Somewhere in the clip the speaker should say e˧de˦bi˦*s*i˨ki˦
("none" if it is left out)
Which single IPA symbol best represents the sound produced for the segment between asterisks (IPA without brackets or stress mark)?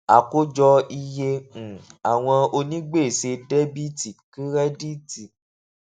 t